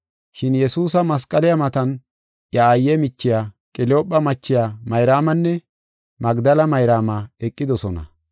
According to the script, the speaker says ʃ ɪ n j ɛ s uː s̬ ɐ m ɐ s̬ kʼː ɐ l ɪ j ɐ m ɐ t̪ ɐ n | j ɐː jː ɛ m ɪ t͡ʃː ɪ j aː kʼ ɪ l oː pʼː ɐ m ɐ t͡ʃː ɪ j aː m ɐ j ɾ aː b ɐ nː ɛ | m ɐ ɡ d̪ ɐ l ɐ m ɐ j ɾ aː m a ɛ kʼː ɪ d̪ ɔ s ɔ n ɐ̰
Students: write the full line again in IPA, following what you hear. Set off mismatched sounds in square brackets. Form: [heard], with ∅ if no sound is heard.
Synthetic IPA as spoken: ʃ ɪ n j ɛ s uː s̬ ɐ m ɐ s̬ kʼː ɐ l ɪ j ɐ m ɐ t̪ ɐ n | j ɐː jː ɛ m ɪ t͡ʃː ɪ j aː kʼ ɪ l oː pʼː ɐ m ɐ t͡ʃː ɪ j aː m ɐ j ɾ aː [m] ɐ nː ɛ | m ɐ ɡ d̪ ɐ l ɐ m ɐ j ɾ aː m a ɛ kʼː ɪ d̪ ɔ s ɔ n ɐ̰